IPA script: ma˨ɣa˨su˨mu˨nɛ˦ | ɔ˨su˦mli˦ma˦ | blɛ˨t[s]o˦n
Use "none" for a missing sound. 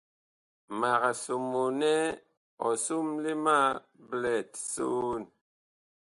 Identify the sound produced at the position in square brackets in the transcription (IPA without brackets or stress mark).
s